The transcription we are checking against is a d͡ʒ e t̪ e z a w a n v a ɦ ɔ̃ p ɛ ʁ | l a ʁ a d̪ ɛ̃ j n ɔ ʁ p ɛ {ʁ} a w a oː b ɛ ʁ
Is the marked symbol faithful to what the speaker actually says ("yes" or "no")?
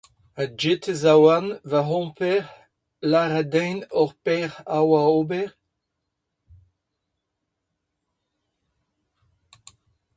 yes